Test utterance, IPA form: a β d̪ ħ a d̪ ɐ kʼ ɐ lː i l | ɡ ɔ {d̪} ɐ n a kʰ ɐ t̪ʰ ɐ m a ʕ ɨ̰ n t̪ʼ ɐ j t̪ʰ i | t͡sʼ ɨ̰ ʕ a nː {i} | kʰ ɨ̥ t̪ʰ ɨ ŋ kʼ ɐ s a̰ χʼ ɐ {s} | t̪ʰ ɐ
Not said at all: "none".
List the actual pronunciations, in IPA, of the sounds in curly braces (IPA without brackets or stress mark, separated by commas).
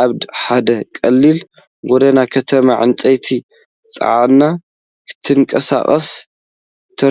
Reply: d̪, a, s